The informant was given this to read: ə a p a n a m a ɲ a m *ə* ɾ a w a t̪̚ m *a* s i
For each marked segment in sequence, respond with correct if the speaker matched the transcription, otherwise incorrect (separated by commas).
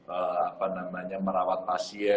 correct, correct